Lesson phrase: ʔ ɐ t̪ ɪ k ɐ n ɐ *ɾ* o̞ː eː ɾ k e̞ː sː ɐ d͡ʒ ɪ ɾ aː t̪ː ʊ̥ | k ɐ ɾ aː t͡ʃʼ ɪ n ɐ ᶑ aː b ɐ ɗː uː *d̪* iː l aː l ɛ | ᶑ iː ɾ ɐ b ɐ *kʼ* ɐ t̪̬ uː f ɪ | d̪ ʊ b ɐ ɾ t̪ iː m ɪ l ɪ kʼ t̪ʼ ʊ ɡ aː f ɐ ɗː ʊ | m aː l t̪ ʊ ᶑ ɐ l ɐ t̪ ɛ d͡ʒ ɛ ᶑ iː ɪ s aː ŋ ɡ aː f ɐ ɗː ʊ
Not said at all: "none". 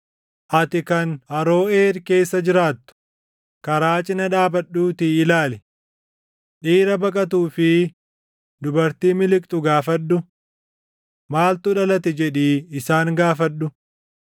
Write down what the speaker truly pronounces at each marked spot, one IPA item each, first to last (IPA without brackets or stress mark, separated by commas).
ɾ, t̪, kʼ